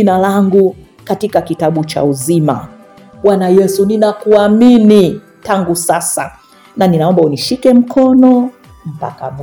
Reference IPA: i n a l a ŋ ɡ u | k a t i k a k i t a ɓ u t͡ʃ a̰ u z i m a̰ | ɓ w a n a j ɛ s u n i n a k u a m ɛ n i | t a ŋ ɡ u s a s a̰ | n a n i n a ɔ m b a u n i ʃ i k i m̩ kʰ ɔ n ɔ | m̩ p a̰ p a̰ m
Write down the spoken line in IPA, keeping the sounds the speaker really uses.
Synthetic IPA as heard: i n a l a ŋ ɡ u | k a t i k a k i t a ɓ u t͡ʃ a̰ u z i m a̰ | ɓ w a n a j ɛ s u n i n a k u a m i n i | t a ŋ ɡ u s a s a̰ | n a n i n a ɔ m b a u n i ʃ i k ɛ m̩ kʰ ɔ n ɔ | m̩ p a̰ k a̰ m